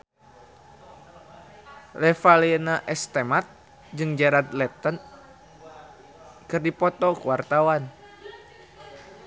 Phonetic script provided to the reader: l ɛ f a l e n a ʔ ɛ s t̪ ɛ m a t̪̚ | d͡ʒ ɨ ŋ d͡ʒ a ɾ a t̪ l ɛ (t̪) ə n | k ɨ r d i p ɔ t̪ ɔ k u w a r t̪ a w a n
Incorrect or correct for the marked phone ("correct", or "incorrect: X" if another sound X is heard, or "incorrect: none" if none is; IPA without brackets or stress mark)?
correct